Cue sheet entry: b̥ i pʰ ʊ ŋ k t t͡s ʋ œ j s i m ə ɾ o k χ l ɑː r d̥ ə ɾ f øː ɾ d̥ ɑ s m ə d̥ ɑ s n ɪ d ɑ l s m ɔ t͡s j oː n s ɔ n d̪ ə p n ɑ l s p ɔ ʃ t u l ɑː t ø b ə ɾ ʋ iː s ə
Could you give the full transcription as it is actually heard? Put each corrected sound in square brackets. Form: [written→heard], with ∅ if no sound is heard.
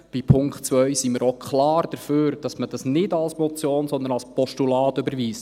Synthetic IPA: b̥ i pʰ ʊ ŋ k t t͡s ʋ œ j s i m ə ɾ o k χ l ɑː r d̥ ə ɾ f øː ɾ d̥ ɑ s m ə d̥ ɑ s n ɪ d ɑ l s m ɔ t͡s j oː n s ɔ n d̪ ə [p→∅] n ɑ l s p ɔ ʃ t u l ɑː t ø b ə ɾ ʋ iː s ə